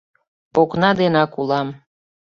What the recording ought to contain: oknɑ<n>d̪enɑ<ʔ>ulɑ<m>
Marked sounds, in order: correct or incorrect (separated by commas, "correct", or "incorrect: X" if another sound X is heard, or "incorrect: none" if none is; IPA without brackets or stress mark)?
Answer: incorrect: none, incorrect: k, correct